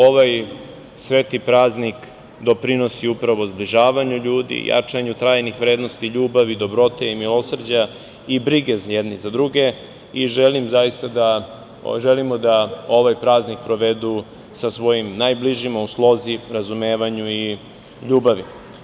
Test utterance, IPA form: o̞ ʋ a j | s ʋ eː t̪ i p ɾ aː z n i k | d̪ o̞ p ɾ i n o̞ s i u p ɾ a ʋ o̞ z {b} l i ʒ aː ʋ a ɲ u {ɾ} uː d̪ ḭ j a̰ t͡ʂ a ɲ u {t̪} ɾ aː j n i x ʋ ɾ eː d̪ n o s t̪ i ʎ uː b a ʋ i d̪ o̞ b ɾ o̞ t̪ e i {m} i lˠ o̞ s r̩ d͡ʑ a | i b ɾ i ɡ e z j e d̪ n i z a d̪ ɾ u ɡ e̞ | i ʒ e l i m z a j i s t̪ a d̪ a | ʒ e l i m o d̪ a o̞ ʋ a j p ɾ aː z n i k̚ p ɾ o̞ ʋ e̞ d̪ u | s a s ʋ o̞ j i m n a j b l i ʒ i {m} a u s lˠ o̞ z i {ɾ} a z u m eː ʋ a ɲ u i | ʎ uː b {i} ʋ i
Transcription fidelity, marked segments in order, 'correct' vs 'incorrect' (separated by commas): correct, incorrect, correct, correct, correct, correct, incorrect